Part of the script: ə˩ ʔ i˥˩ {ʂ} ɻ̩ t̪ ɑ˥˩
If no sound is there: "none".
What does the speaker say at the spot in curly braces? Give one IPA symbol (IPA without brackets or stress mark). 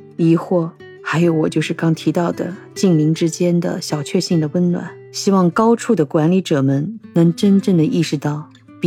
ʂ